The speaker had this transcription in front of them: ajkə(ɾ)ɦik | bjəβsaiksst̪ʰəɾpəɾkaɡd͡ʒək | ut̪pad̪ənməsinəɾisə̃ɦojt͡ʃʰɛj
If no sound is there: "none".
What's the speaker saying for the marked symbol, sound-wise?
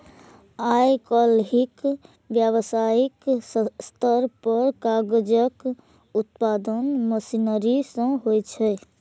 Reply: l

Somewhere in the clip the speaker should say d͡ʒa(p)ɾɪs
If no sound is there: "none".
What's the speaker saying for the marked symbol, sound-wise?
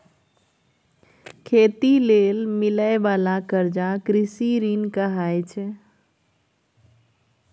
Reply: k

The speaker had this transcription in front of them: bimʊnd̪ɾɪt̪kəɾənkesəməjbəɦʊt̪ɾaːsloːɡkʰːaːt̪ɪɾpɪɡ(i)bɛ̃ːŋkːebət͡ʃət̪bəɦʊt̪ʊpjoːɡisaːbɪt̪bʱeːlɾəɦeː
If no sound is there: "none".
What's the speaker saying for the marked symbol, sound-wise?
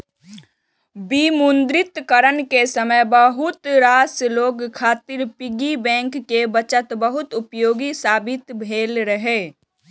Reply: i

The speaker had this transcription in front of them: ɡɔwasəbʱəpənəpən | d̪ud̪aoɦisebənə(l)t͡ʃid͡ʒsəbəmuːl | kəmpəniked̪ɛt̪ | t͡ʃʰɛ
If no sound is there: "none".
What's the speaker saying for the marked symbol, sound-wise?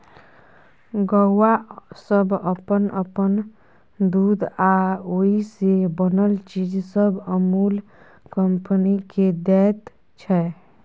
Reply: l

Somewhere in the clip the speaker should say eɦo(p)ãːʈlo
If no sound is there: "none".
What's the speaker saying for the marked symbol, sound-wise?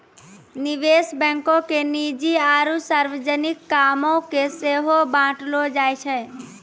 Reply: b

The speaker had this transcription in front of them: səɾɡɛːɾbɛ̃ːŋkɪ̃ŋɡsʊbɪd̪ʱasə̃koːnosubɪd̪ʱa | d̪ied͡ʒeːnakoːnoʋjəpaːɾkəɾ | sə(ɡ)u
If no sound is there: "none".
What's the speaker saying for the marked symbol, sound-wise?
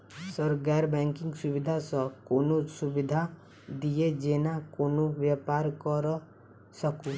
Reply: k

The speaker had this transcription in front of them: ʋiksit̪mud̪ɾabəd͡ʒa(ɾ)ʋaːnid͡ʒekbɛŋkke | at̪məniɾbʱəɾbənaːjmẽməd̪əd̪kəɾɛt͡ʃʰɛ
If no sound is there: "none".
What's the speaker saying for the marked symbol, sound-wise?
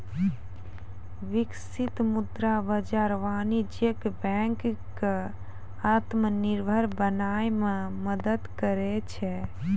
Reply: ɾ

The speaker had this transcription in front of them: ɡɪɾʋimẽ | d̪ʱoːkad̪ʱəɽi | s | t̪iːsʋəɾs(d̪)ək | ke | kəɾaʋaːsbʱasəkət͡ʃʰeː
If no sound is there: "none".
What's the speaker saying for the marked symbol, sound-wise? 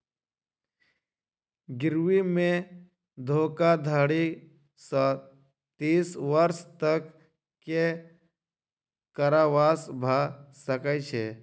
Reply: t̪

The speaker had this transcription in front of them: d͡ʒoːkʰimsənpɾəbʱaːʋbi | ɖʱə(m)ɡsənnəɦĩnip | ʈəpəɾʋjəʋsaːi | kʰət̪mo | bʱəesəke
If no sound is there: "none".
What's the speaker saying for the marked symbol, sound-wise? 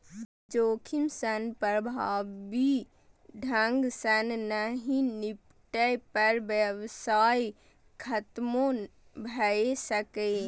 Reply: ŋ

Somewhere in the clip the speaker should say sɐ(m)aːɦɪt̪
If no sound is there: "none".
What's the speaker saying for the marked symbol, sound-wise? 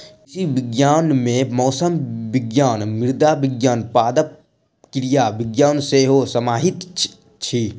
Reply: m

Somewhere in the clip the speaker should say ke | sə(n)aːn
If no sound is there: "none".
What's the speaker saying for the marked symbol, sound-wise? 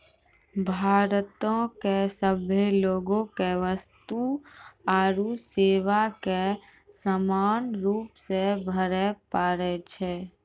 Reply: m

